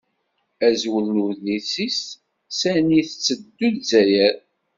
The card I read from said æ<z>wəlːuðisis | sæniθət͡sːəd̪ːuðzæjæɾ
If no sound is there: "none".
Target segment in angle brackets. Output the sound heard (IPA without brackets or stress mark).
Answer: z